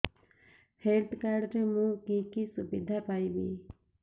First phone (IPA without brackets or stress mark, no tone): h